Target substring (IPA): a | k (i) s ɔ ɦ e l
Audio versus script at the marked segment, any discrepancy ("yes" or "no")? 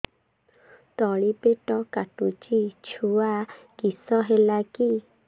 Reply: no